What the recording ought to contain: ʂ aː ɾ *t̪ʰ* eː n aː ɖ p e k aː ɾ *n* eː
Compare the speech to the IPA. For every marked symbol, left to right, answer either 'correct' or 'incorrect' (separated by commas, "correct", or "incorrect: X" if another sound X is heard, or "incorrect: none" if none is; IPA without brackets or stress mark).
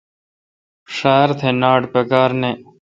correct, correct